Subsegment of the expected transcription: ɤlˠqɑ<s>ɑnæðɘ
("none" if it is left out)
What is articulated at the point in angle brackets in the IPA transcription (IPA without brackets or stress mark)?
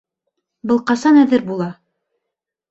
s